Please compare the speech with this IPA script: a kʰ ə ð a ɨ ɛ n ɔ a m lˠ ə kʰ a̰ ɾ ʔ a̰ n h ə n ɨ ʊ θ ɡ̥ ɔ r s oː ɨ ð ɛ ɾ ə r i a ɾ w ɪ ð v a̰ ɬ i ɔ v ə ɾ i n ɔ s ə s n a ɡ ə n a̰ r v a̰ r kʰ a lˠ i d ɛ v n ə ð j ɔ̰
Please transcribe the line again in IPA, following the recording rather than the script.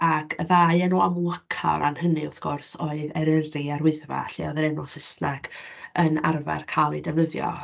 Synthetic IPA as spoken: a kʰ ə ð a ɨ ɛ n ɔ a m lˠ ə kʰ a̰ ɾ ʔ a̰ n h ə n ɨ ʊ θ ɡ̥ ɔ r s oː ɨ ð ɛ ɾ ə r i a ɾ w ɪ ð v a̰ ɬ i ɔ ð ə ɾ ɛ n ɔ s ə s n a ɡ ə n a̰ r v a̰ r kʰ a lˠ i d ɛ v n ə ð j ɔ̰

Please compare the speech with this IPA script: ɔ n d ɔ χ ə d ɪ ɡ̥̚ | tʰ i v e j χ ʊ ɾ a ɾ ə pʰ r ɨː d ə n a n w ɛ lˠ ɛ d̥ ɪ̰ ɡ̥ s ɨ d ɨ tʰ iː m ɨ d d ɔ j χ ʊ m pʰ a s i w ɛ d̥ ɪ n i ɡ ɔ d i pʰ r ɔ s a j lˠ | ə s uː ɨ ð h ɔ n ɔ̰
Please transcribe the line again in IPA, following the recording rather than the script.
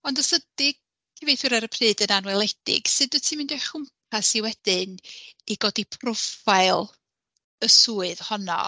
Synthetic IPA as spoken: ɔ n d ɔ s ə d ɪ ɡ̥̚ | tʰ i v e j θ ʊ ɾ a ɾ ə pʰ r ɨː d ə n a n w ɛ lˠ ɛ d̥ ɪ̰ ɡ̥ s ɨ d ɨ tʰ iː m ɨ n d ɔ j χ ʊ m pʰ a s i w ɛ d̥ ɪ n i ɡ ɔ d i pʰ r ɔ f a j lˠ | ə s uː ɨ ð h ɔ n ɔ̰

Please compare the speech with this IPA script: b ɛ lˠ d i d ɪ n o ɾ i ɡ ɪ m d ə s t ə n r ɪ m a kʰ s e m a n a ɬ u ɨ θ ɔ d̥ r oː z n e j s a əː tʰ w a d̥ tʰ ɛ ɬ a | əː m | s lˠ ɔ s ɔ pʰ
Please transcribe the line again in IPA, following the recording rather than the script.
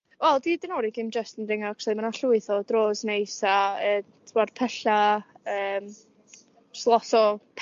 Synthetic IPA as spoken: w ɛ lˠ d i d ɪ n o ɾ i ɡ ɪ m d͡ʒ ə s t ə n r ɪ ŋ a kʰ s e m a n a ɬ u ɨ θ ɔ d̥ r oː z n e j s a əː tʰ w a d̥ pʰ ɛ ɬ a | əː m | s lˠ ɔ s ɔ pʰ

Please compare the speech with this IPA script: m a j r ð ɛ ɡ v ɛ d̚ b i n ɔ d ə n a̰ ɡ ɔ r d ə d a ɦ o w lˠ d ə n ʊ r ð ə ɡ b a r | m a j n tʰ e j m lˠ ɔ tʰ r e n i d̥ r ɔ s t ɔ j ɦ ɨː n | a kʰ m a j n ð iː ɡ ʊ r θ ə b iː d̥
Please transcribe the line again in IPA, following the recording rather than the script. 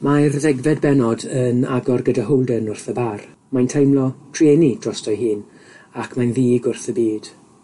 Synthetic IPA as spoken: m a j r ð ɛ ɡ v ɛ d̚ b ɛ n ɔ d ə n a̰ ɡ ɔ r ɡ ə d a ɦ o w lˠ d ə n ʊ r θ ə b a r | m a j n tʰ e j m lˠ ɔ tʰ r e n i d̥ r ɔ s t ɔ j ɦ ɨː n | a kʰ m a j n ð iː ɡ ʊ r θ ə b iː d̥

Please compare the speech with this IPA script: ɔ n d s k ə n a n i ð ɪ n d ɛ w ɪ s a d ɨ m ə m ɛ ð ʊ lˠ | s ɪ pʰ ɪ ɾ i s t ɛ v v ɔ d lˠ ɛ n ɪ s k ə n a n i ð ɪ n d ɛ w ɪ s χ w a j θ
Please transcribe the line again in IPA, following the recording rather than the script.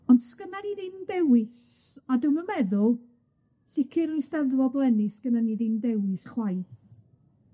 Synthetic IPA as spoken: ɔ n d s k ə n a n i ð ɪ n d ɛ w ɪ s a d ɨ m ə m ɛ ð ʊ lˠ | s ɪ kʰ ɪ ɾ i s t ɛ ð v ɔ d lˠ ɛ n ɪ s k ə n a n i ð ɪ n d ɛ w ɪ s χ w a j θ

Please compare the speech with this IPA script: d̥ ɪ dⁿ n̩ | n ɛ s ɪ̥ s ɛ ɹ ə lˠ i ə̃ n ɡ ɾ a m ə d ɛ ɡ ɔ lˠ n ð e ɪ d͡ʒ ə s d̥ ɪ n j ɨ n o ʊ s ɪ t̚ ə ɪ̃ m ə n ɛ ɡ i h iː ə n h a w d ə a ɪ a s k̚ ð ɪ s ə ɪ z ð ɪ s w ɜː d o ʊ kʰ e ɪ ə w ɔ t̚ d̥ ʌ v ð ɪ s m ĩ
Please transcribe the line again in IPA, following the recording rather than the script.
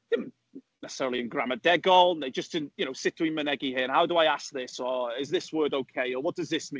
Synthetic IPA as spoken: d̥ ɪ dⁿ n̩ | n ɛ s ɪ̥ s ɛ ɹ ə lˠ i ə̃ n ɡ ɹ a m ə d ɛ ɡ ɔ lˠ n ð e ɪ d͡ʒ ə s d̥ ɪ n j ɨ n o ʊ s ɪ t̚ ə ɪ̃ m ə n ɛ ɡ i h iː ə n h a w d ə a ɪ a s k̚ ð ɪ s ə ɪ z ð ɪ s w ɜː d o ʊ kʰ e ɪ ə w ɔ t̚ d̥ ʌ z ð ɪ s m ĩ

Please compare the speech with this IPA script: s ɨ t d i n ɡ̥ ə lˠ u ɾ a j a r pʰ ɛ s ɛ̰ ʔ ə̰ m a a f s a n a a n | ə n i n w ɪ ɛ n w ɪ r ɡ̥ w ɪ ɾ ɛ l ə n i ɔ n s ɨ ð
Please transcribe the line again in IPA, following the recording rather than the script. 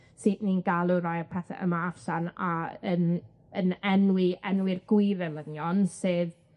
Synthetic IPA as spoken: s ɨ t n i n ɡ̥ a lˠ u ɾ a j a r pʰ ɛ θ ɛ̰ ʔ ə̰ m a a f s a n a ə n | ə n ɛ n w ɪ ɛ n w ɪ r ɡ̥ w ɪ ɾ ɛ l ə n j ɔ n s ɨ ð

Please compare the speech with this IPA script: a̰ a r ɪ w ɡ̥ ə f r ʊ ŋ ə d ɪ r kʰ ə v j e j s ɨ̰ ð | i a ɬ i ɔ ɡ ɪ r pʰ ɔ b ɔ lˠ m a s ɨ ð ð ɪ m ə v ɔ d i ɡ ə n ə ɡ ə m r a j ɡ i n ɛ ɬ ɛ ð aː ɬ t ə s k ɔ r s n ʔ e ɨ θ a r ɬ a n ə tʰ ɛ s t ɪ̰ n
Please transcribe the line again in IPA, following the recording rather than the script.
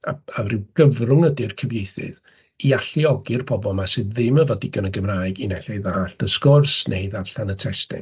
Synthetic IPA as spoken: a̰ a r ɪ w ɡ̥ ə v r ʊ ŋ ə d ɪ r kʰ ə v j e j θ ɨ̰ ð | i a ɬ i ɔ ɡ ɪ r pʰ ɔ b ɔ lˠ m a s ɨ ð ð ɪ m ə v ɔ d i ɡ ə n ə ɡ ə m r a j ɡ i n ɛ ɬ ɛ ð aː ɬ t ə s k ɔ r s n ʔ e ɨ ð a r ɬ a n ə tʰ ɛ s t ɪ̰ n

